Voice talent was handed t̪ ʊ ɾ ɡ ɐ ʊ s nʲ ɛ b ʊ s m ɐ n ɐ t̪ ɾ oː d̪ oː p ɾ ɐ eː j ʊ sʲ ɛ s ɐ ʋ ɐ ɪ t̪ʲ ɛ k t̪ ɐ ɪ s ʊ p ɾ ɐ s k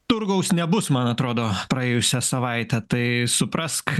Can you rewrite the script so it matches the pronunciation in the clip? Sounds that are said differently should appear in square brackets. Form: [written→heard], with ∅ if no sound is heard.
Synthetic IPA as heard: t̪ ʊ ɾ ɡ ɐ ʊ s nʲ ɛ b ʊ s m ɐ n ɐ t̪ ɾ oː d̪ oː p ɾ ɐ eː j ʊ sʲ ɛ s ɐ ʋ ɐ ɪ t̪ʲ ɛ [k→∅] t̪ ɐ ɪ s ʊ p ɾ ɐ s k